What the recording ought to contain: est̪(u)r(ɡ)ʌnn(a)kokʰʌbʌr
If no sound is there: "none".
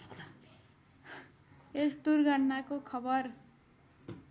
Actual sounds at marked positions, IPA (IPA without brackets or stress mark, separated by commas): u, ɡ, a